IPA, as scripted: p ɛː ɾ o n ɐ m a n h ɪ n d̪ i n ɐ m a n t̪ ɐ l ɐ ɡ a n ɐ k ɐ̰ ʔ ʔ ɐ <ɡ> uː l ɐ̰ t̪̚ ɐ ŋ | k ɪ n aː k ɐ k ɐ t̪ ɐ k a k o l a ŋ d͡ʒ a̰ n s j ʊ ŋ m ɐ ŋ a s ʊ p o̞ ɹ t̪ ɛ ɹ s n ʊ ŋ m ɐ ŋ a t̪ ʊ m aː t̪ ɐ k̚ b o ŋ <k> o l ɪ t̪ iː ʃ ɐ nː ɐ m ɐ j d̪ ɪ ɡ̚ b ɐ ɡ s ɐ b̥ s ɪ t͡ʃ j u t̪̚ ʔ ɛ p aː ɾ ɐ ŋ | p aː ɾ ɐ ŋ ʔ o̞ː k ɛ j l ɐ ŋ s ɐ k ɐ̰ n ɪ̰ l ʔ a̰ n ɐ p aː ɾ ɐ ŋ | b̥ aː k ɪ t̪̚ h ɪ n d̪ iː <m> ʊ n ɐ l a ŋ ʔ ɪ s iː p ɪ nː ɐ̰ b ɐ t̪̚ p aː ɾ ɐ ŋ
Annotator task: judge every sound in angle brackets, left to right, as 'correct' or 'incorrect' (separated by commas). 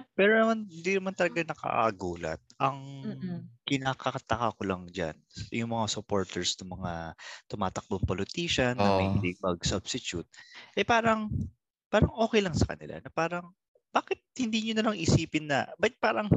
correct, incorrect, incorrect